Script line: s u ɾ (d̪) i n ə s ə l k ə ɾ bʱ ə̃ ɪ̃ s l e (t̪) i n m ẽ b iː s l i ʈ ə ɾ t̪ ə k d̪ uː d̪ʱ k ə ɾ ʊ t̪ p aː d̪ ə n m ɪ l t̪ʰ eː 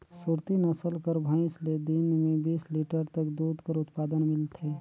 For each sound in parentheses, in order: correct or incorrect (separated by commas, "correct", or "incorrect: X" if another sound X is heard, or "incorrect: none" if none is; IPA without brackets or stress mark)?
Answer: incorrect: t̪, incorrect: d̪